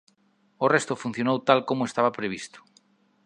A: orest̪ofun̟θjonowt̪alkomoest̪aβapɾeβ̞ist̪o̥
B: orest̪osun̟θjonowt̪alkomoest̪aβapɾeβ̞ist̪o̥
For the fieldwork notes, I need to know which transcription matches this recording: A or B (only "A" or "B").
A